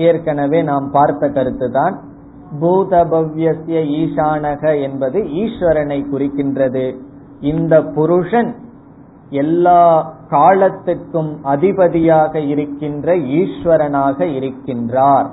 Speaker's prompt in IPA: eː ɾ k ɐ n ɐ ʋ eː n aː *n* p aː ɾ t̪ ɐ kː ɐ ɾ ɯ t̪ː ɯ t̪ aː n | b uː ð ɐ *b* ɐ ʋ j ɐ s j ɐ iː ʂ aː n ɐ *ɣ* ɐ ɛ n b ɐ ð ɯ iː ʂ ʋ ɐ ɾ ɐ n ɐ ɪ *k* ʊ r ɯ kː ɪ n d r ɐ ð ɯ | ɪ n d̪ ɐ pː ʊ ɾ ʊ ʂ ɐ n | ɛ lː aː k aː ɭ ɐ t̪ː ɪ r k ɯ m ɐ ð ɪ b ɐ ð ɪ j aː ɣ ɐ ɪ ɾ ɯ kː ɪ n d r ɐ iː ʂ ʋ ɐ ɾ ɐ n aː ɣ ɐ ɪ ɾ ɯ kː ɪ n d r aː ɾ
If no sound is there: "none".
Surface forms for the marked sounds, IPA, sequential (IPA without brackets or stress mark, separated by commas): m, b, ɣ, k